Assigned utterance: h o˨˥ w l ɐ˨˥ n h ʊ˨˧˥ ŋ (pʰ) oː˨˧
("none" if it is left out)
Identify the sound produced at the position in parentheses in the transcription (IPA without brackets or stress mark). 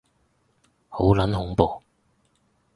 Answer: p